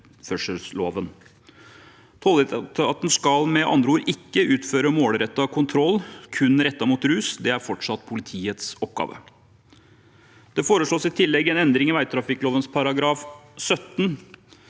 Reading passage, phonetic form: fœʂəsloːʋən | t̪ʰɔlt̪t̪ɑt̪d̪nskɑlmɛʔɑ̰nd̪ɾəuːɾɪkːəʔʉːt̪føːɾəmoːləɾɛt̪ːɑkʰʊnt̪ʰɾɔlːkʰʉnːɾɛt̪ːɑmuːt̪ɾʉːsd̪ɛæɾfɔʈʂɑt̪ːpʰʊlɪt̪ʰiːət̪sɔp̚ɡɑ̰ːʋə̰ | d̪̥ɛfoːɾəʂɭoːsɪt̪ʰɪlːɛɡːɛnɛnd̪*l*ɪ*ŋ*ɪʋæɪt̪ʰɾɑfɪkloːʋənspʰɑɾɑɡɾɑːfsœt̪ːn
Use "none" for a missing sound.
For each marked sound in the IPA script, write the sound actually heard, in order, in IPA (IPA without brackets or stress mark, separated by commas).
ɾ, ŋ